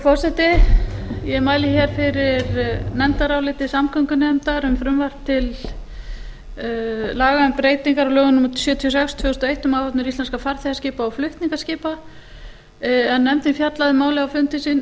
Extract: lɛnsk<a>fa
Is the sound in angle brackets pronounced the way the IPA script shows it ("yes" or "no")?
yes